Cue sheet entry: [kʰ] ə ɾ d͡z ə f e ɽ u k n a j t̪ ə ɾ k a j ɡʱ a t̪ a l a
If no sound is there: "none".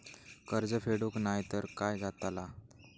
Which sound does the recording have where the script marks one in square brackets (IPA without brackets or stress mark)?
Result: k